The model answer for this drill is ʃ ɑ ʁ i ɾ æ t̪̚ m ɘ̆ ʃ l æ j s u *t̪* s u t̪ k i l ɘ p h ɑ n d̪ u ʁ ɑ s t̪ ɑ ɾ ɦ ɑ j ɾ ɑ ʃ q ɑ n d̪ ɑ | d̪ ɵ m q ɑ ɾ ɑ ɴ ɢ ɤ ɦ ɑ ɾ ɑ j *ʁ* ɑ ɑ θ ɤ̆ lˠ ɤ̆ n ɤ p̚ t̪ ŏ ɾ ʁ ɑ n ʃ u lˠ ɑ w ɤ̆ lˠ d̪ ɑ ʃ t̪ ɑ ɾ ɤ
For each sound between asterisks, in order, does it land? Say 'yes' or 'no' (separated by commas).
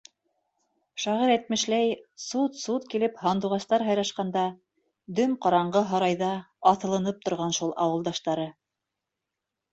yes, no